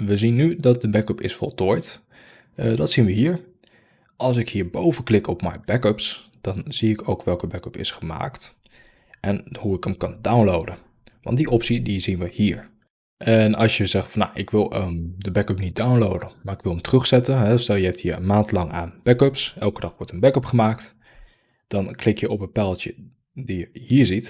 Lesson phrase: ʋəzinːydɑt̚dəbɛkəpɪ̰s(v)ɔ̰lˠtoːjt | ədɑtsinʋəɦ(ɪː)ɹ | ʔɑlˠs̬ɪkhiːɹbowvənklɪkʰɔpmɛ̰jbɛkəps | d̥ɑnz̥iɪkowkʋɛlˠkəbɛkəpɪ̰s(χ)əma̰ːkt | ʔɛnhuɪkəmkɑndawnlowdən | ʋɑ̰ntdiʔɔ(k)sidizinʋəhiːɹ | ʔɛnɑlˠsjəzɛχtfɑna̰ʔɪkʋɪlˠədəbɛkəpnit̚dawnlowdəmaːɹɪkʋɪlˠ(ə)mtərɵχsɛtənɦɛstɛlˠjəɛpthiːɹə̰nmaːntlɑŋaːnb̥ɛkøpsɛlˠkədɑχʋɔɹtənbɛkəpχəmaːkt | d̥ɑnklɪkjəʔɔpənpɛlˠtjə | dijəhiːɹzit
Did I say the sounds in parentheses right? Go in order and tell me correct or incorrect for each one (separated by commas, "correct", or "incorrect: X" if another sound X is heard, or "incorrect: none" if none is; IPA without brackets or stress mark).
incorrect: f, incorrect: iː, correct, incorrect: p, correct